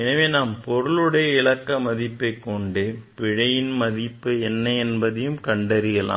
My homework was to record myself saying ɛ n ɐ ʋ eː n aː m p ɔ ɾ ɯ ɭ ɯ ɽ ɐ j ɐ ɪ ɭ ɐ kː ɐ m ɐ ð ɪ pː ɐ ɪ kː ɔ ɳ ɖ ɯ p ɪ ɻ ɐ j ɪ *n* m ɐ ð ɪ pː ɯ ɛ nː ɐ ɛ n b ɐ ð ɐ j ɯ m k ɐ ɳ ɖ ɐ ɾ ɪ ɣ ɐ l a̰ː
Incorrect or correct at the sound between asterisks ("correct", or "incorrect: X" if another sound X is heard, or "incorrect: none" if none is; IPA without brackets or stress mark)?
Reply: correct